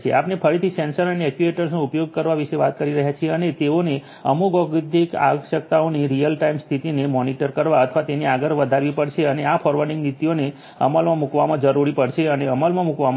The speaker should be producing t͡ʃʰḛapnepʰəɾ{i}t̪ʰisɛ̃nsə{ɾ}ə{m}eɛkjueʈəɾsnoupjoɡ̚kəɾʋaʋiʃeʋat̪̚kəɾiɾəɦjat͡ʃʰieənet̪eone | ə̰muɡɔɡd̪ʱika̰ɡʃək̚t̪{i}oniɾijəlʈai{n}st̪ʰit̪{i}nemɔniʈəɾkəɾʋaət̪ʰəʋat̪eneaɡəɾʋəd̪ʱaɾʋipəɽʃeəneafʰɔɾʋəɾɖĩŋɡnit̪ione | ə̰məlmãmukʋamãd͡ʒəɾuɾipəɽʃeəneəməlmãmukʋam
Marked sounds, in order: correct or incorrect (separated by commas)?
correct, correct, incorrect, incorrect, incorrect, correct